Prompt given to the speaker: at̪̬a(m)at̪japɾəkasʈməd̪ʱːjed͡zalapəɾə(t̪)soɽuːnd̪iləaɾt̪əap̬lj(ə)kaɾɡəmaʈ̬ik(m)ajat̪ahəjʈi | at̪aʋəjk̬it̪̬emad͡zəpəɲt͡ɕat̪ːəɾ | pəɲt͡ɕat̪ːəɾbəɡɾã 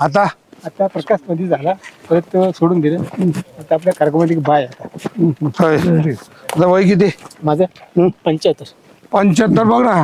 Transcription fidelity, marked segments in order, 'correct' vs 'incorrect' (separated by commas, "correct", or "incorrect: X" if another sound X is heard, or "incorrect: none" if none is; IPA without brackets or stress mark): incorrect: none, correct, incorrect: a, incorrect: b